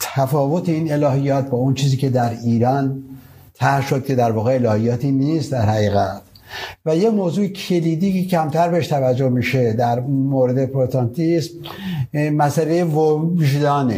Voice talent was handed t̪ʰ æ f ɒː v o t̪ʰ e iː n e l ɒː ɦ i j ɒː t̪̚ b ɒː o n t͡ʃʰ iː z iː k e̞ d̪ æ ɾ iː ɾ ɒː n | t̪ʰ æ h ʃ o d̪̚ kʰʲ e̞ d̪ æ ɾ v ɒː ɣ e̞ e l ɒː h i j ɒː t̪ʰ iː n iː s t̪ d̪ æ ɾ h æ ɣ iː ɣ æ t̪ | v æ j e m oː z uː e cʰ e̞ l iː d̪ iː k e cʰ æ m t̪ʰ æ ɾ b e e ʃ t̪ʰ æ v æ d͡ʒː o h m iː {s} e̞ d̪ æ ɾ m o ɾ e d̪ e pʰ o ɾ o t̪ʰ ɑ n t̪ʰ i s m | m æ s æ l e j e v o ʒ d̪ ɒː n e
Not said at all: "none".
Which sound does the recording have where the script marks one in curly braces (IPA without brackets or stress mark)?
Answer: ʃ